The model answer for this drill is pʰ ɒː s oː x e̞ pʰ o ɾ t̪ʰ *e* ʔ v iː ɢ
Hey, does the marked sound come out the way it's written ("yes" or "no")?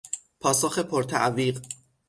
no